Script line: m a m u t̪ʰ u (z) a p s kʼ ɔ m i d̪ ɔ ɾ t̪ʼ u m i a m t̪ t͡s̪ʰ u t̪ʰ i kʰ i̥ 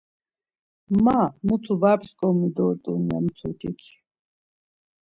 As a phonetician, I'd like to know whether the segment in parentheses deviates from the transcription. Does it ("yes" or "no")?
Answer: yes